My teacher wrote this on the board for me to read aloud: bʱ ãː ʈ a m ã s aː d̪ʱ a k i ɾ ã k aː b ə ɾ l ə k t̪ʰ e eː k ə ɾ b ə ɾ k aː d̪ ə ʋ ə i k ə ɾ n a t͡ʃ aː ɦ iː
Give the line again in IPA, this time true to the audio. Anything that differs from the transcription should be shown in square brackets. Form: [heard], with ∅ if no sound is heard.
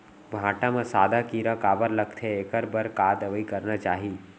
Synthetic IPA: bʱ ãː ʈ a m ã s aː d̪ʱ a k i ɾ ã k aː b ə ɾ l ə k t̪ʰ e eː k ə ɾ b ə ɾ k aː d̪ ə ʋ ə i k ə ɾ n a t͡ʃ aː ɦ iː